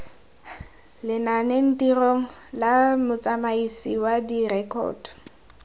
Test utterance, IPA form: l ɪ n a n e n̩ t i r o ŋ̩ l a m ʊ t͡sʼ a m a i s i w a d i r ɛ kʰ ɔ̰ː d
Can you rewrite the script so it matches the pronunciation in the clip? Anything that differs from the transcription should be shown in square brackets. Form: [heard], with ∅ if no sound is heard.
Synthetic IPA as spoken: l ɪ n a n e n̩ t i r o ŋ̩ l a m ʊ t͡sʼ a m a i s i w a d i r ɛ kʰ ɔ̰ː d